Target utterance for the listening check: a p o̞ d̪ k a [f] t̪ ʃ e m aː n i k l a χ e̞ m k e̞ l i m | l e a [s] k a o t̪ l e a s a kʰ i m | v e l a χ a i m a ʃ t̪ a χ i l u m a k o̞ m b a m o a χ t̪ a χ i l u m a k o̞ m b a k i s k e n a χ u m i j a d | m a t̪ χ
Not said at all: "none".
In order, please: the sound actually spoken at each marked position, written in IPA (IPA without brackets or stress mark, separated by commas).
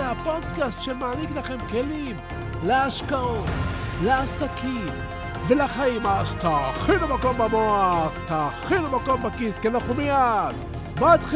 s, ʃ